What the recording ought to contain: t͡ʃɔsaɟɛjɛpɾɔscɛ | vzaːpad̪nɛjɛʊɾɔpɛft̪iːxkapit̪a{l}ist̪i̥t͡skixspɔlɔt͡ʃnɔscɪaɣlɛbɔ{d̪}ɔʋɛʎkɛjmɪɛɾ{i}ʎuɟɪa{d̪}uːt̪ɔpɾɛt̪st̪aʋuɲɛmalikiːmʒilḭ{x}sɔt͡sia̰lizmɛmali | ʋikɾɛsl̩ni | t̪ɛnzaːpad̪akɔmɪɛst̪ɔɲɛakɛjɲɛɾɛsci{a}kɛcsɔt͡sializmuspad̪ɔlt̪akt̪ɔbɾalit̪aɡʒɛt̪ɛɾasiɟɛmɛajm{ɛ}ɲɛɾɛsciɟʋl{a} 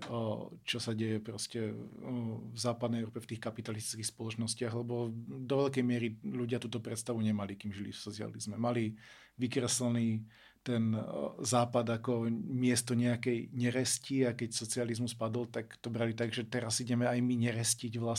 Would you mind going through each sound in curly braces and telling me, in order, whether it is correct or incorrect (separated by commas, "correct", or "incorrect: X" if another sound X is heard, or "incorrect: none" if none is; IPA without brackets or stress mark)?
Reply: correct, correct, correct, incorrect: t̪, incorrect: f, correct, incorrect: i, correct